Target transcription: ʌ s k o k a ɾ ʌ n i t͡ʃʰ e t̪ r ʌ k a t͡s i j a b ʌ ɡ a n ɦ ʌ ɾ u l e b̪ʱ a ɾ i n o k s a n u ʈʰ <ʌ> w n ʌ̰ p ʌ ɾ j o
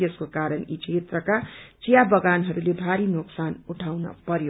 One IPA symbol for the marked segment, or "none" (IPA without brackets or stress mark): a